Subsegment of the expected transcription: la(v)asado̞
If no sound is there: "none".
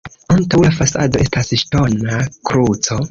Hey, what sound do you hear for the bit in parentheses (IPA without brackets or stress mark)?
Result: f